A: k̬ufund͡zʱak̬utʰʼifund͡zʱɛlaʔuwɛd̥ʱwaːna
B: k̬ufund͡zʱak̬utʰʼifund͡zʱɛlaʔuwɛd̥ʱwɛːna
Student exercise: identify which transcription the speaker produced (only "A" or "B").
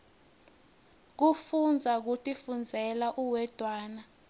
A